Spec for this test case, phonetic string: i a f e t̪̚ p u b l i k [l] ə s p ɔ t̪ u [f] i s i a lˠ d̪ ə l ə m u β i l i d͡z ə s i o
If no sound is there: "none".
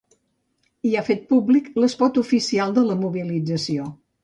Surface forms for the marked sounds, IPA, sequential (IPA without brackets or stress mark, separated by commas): l, f